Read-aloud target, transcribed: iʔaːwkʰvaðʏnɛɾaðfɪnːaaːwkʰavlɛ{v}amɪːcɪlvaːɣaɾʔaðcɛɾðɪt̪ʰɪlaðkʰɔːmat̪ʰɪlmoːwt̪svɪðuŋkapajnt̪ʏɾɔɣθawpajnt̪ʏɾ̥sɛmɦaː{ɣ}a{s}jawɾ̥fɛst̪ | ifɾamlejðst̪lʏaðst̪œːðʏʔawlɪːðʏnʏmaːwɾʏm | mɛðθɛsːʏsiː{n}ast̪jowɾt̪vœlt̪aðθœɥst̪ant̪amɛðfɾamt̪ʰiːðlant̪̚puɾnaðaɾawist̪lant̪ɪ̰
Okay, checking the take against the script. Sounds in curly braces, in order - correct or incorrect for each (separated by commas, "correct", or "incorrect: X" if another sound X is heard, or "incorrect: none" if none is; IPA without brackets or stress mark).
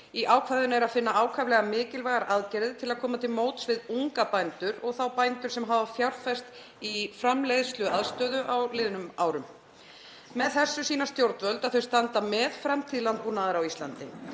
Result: incorrect: ɣ, incorrect: v, incorrect: f, correct